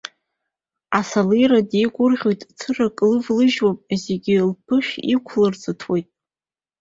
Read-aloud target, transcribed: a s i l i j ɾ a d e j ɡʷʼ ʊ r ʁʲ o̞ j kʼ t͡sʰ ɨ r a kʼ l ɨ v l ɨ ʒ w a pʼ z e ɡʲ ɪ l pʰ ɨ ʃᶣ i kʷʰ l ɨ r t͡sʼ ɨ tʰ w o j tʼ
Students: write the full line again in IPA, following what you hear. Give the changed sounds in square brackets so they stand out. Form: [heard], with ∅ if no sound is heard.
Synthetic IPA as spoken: a s [a] l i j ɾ a d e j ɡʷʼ ʊ r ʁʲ o̞ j [tʼ] t͡sʰ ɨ r a kʼ l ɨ v l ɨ ʒ w a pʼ z e ɡʲ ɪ l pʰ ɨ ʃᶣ i kʷʰ l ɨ r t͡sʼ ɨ tʰ w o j tʼ